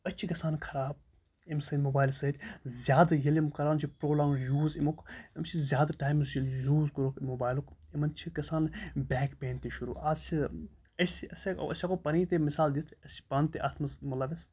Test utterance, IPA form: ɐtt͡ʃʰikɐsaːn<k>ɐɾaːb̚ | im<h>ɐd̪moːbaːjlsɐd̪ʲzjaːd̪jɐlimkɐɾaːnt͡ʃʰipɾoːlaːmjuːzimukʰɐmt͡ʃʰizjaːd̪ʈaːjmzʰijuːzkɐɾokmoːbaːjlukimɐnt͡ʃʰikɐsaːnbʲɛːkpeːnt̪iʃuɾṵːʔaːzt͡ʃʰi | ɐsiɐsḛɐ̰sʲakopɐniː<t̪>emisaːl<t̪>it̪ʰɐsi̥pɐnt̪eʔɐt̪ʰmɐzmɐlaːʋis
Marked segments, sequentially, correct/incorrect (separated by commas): incorrect, incorrect, correct, incorrect